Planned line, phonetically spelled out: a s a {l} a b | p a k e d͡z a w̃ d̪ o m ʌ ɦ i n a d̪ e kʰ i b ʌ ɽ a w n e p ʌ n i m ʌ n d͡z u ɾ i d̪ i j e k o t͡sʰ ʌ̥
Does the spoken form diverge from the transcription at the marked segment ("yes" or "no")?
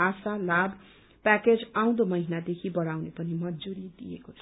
no